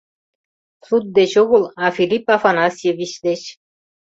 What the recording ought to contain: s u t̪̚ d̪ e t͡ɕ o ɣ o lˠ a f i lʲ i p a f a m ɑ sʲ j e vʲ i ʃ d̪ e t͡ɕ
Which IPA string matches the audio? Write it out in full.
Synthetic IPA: s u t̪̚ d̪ e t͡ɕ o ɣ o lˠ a f i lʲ i p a f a n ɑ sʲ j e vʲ i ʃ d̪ e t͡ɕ

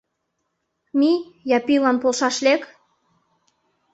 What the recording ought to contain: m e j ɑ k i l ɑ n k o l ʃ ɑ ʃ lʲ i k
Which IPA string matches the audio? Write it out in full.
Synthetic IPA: m i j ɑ p i l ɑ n p o l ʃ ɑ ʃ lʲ e k

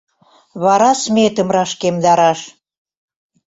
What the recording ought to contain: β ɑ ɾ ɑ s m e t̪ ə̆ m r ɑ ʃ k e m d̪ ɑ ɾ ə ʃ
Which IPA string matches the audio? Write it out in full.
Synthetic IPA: β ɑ ɾ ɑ s m e t̪ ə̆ m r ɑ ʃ k e m d̪ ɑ ɾ ɑ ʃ

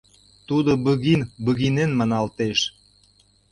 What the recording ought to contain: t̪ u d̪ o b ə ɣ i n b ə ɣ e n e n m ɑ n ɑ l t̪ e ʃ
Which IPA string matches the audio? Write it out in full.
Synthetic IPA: t̪ u d̪ o b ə ɣ i n b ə ɣ i n e n m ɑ n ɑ l t̪ e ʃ

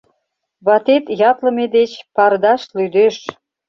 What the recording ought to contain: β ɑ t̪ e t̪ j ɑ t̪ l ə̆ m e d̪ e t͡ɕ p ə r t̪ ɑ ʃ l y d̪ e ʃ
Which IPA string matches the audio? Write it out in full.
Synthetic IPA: β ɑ t̪ e t̪ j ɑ t̪ l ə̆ m e d̪ e t͡ɕ p ɑ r d̪ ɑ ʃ l y d̪ e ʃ

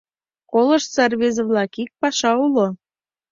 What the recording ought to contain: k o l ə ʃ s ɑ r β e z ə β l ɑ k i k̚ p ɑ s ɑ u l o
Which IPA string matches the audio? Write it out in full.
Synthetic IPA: k o l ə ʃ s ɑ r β e z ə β l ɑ k i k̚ p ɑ ʃ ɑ u l o

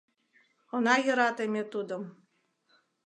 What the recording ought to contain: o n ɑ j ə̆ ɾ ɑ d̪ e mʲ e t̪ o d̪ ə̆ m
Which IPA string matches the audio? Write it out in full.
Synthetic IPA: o n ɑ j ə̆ ɾ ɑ t̪ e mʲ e t̪ u d̪ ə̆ m

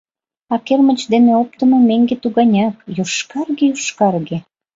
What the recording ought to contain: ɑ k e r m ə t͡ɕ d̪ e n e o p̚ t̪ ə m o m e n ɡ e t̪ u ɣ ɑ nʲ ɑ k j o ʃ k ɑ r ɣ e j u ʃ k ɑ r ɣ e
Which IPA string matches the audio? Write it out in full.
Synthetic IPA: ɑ k e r m ə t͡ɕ d̪ e n e o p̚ t̪ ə m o m e ŋ ɡ e t̪ u ɣ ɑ nʲ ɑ k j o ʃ k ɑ r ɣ e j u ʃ k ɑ r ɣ e

